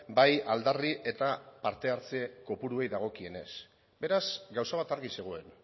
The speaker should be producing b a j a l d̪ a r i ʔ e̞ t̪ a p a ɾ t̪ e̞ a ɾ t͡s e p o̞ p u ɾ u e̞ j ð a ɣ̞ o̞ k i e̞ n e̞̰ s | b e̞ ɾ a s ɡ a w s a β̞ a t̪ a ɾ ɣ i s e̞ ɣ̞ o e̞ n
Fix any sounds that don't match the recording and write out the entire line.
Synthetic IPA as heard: b a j a l d̪ a r i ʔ e̞ t̪ a p a ɾ t̪ e̞ a ɾ t͡s e k o̞ p u ɾ u e̞ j ð a ɣ̞ o̞ k i e̞ n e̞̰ s | b e̞ ɾ a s ɡ a w s a β̞ a t̪ a ɾ ɣ i s e̞ ɣ̞ o e̞ n